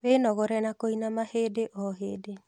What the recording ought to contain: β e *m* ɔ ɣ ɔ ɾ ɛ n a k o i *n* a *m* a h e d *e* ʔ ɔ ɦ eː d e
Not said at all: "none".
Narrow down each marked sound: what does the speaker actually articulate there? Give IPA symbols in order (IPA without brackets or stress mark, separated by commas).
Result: n, n, m, e